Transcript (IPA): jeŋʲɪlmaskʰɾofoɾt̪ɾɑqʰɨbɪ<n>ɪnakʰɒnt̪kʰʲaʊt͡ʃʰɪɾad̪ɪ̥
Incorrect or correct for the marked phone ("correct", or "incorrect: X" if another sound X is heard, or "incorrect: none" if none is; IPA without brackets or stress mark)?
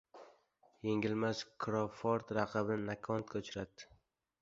correct